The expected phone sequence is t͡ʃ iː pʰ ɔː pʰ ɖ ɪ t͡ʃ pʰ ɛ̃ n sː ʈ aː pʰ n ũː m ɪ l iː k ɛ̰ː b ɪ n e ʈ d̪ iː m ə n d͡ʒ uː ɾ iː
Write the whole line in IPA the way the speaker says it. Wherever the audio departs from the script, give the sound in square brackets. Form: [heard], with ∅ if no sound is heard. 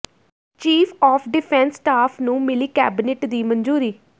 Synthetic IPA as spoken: t͡ʃ iː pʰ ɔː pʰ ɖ ɪ [∅] pʰ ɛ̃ n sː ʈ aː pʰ n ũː m ɪ l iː k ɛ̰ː b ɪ n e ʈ d̪ iː m ə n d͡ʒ uː ɾ iː